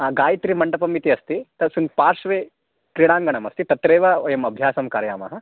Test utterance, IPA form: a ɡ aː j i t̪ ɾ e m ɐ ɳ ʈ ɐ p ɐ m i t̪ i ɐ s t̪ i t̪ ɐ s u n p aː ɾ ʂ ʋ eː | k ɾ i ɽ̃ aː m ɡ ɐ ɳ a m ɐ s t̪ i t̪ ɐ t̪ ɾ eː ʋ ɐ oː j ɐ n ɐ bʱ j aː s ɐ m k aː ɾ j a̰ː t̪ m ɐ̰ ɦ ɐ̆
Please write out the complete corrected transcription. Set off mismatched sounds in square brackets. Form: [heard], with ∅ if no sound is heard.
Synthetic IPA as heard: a ɡ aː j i t̪ ɾ [i] m ɐ ɳ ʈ ɐ p ɐ m i t̪ i ɐ s t̪ i t̪ ɐ s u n p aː ɾ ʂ ʋ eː | k ɾ i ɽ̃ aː [ŋ] ɡ ɐ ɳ [ɐ] m ɐ s t̪ i t̪ ɐ t̪ ɾ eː ʋ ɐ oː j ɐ [m] ɐ bʱ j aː s ɐ m k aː ɾ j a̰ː [∅] m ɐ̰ ɦ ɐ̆